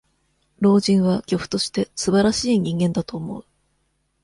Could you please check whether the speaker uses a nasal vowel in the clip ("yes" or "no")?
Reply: yes